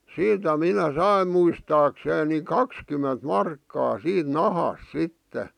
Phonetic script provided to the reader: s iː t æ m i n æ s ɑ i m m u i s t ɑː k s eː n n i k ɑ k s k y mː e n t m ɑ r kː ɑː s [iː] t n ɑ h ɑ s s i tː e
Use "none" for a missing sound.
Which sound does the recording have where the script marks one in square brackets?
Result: iː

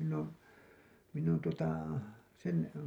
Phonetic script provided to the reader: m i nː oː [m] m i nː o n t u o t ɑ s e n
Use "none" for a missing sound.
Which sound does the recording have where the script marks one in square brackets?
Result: n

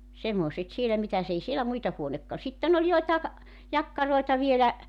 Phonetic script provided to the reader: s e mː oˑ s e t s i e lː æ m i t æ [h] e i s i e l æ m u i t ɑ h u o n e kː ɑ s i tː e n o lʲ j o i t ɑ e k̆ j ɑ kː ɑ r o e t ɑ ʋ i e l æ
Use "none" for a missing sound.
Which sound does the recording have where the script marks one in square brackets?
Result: s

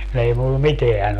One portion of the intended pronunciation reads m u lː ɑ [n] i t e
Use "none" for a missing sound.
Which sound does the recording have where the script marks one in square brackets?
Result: m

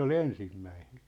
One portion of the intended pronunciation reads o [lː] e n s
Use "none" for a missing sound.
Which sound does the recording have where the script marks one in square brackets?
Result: l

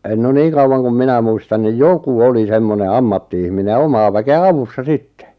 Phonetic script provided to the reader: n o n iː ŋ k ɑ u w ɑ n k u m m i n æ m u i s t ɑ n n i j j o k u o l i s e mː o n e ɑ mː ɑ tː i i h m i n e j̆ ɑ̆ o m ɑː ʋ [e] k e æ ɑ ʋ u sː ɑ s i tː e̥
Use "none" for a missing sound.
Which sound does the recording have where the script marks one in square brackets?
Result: æ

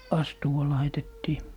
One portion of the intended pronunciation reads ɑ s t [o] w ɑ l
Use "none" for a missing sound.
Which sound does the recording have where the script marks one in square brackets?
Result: u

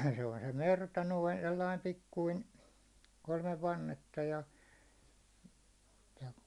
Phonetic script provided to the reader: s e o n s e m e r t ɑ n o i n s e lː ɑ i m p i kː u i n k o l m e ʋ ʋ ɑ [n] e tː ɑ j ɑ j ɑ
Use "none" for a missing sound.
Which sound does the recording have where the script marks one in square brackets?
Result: nː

